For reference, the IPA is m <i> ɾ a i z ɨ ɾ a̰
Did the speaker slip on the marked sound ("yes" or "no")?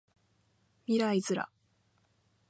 no